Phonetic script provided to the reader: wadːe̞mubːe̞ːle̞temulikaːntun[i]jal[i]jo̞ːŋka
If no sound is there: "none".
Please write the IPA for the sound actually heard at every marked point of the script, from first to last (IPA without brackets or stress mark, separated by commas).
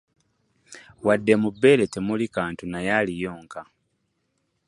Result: a, i